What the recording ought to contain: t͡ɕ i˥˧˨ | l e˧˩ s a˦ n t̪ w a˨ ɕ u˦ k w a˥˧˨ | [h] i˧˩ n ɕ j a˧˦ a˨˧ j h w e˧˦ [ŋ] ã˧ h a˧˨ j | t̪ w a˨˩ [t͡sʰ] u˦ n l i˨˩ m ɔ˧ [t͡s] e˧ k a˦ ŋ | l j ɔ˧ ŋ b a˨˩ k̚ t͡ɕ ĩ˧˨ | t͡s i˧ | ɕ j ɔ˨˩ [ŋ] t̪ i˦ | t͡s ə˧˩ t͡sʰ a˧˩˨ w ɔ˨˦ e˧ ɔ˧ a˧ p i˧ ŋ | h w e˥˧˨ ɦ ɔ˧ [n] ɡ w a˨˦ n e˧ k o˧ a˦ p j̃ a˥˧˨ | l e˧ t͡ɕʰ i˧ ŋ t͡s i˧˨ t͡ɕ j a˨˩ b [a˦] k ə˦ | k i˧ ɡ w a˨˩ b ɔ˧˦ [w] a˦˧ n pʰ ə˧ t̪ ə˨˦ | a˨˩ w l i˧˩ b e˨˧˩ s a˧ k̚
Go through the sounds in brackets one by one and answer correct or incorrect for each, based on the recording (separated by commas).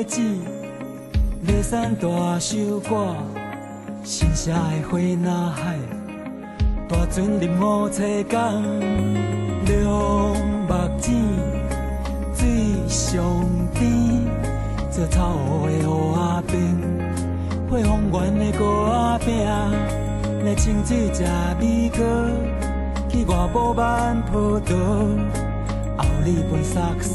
incorrect, incorrect, incorrect, incorrect, correct, incorrect, incorrect, incorrect